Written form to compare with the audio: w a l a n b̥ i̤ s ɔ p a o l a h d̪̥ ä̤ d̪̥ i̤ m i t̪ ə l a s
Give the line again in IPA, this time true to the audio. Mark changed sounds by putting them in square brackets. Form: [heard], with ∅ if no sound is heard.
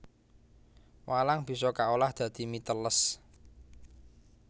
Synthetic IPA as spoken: w a l a [ŋ] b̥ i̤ s ɔ [k] a o l a h d̪̥ ä̤ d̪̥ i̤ m i t̪ ə l [ə] s